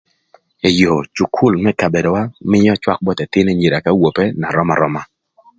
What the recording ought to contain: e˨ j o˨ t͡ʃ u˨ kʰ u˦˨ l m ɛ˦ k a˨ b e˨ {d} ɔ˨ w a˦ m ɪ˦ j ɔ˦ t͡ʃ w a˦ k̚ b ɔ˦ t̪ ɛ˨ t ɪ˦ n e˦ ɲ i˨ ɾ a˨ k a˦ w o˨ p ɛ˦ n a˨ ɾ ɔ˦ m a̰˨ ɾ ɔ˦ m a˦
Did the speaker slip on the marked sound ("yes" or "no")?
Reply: no